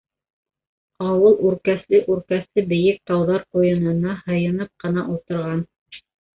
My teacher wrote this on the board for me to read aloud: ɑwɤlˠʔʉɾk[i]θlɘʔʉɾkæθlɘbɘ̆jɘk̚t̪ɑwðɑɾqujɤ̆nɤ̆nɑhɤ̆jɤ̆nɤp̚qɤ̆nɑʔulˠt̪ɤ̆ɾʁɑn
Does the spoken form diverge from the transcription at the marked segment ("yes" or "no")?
yes